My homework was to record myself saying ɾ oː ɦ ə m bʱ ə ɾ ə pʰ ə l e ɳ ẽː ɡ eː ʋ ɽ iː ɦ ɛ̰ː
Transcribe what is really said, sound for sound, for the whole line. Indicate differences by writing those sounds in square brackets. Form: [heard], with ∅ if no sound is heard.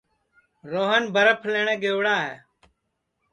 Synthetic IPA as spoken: ɾ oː ɦ ə [n] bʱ ə ɾ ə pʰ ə l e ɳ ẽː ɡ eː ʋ ɽ [aː] ɦ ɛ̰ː